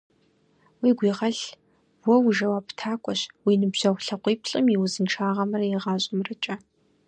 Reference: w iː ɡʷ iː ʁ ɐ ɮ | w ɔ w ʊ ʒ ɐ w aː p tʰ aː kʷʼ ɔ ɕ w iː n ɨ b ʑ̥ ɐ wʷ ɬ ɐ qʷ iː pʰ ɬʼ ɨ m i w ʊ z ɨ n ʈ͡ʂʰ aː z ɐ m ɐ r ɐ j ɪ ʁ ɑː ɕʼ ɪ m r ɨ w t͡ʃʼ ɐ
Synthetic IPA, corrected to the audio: w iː ɡʷ iː ʁ ɐ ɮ | w ɔ w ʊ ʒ ɐ w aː p tʰ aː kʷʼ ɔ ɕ w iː n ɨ b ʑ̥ ɐ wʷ ɬ ɐ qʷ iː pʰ ɬʼ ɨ m i w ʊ z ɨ n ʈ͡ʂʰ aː ʁ ɐ m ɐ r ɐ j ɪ ʁ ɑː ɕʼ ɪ m r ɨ t͡ʃʼ ɐ